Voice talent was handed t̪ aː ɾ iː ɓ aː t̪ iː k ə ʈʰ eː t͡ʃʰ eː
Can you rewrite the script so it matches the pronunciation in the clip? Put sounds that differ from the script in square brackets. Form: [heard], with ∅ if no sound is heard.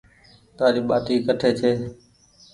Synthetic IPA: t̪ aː ɾ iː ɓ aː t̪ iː k ə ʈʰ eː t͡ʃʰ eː